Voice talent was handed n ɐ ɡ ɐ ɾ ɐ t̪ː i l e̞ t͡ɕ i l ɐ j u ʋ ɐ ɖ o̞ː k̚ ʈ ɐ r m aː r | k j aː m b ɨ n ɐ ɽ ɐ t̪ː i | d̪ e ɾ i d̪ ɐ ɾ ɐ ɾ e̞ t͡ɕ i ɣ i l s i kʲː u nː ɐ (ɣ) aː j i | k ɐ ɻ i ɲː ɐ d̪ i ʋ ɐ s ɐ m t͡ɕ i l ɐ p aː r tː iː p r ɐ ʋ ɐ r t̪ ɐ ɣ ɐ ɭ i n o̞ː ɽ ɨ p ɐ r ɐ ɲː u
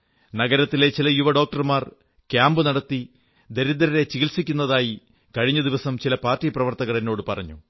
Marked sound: incorrect: ð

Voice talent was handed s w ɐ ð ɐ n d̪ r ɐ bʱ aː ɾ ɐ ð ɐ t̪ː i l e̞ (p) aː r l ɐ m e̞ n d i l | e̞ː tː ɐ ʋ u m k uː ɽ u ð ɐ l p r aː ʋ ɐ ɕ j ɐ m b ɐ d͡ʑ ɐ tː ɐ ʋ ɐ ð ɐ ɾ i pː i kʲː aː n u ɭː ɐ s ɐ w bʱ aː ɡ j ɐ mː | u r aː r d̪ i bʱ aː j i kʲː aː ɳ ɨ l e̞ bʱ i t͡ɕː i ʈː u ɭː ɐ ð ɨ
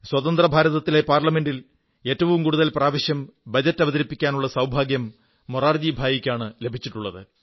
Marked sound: correct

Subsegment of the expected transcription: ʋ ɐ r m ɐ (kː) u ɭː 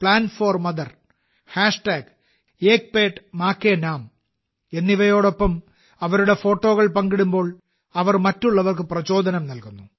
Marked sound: incorrect: tː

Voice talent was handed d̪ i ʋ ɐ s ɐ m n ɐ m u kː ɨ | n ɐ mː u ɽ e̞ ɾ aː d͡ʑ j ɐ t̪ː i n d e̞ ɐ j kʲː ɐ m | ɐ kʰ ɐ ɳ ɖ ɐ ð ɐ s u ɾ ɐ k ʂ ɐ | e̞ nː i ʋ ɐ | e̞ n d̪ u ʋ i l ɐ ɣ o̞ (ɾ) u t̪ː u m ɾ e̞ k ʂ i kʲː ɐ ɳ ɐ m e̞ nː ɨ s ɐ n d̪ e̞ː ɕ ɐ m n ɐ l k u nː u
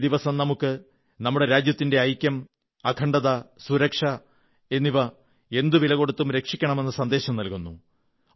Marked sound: incorrect: ɽ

